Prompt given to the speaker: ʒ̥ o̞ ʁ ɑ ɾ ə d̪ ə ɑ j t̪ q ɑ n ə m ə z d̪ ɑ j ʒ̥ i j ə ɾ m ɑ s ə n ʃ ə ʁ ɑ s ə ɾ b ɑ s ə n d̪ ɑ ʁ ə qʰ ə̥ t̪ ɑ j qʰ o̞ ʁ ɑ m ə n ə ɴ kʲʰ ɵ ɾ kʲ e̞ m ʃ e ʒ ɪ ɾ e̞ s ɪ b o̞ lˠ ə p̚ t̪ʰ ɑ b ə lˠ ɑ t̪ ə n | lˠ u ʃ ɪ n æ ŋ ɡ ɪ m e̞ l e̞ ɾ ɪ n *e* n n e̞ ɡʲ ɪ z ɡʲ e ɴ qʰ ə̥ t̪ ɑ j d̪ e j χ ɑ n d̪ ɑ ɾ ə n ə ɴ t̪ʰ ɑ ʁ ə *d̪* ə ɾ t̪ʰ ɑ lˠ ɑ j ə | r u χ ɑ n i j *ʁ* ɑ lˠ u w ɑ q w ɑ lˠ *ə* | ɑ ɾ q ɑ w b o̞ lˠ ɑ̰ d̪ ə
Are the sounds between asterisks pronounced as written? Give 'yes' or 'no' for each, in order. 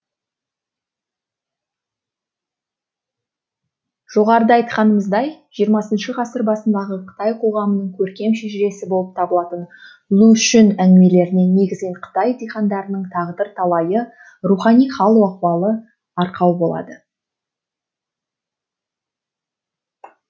yes, yes, no, yes

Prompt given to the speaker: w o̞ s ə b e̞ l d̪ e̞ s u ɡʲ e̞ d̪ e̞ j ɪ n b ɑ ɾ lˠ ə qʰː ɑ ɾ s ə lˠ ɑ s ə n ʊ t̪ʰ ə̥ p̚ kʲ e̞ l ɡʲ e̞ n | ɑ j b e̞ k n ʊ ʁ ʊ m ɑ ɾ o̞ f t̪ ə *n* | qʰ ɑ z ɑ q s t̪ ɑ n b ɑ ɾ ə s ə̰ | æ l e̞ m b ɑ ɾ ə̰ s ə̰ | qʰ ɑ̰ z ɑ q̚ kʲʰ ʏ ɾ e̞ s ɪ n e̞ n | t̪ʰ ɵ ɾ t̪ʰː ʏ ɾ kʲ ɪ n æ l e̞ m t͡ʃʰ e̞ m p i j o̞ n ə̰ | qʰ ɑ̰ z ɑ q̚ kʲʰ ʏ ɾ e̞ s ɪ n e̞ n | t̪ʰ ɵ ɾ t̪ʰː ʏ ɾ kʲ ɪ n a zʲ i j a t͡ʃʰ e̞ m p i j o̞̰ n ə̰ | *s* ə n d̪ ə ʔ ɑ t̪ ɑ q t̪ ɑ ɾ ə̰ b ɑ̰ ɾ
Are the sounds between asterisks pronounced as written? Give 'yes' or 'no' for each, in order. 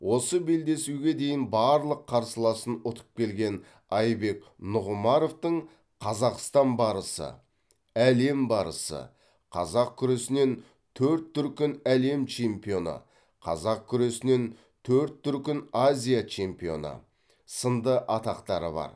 no, yes

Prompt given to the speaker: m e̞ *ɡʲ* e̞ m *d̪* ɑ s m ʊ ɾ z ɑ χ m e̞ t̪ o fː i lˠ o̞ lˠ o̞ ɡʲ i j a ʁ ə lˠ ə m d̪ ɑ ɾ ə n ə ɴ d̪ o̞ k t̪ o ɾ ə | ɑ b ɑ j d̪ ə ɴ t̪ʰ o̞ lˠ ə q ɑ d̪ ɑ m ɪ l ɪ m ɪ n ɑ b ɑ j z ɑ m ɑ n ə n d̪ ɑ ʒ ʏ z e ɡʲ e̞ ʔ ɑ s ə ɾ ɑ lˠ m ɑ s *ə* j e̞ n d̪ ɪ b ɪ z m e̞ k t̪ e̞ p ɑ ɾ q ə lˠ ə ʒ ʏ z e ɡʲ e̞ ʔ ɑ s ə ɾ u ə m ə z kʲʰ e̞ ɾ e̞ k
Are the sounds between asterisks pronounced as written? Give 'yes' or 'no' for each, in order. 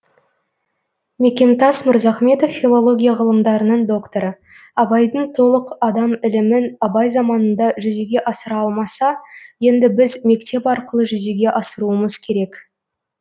no, no, no

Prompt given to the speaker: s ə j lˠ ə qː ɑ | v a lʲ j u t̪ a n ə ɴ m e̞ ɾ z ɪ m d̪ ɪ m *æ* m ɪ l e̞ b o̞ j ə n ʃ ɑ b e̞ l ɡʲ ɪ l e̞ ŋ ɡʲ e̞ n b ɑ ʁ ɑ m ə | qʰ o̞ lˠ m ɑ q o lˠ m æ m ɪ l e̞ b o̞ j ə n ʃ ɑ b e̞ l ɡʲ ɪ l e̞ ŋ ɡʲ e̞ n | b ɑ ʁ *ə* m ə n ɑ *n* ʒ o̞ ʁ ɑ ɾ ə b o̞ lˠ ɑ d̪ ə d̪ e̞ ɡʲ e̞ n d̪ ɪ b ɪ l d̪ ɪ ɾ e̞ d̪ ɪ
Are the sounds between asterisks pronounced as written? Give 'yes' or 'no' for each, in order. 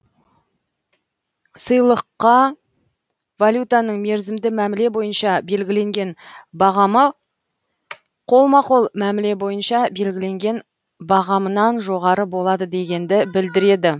yes, no, yes

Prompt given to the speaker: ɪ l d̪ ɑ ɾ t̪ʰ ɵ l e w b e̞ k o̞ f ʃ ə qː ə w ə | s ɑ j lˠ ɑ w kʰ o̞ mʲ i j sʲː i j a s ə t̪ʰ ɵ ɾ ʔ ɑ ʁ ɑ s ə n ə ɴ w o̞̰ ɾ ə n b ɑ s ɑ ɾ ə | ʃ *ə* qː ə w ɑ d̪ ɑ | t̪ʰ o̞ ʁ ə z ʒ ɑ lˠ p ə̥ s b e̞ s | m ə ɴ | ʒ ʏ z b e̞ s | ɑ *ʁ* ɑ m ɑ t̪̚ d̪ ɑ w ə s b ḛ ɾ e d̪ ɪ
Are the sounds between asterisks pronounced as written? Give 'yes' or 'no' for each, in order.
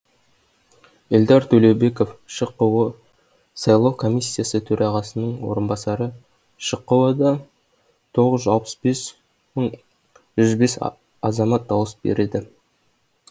yes, no

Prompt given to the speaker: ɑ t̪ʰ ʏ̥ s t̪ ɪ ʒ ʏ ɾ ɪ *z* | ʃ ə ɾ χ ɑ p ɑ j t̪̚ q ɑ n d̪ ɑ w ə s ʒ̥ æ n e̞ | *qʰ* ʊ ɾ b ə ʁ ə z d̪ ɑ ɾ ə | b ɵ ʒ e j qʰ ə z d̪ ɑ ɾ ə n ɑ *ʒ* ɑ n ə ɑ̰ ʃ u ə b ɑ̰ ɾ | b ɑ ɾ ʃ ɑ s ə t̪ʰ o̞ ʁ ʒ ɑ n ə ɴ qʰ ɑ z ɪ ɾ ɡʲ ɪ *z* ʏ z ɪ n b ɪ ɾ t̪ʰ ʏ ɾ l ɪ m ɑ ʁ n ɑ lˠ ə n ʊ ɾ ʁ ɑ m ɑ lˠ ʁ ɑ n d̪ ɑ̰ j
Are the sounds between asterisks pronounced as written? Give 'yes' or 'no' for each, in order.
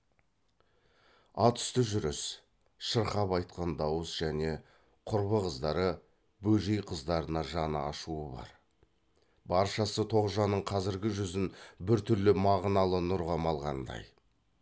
no, yes, yes, no

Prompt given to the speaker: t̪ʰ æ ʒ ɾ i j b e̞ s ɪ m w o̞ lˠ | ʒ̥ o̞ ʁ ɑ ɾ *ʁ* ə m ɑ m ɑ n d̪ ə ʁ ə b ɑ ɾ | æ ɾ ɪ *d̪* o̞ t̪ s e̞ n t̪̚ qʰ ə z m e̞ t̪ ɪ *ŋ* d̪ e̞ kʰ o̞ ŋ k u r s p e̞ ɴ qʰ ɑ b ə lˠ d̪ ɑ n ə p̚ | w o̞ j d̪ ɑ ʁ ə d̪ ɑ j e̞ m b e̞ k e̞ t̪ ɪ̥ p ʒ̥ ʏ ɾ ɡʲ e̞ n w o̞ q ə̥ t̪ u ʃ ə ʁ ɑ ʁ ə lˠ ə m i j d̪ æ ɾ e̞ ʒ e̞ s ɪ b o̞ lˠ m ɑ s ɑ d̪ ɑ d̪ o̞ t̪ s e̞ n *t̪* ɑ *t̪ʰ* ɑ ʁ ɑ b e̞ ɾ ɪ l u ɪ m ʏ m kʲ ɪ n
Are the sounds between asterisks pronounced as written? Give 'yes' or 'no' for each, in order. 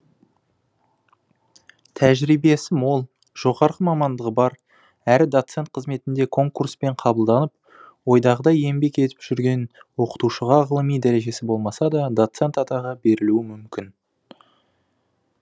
yes, yes, no, yes, no

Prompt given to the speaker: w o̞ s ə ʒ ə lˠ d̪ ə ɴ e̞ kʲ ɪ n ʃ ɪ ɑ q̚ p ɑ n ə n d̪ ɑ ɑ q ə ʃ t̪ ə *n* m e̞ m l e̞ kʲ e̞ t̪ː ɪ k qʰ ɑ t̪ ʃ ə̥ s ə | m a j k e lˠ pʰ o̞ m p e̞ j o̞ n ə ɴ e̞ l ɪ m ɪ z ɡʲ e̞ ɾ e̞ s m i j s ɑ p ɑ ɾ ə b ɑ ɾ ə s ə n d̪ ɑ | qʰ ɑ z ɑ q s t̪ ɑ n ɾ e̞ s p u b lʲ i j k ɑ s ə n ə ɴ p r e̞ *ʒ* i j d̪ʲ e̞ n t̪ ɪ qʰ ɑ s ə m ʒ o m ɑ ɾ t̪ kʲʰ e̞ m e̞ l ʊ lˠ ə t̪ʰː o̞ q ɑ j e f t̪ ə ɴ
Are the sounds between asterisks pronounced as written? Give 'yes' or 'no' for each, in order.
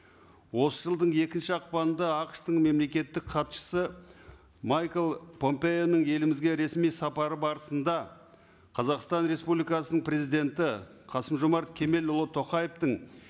no, no

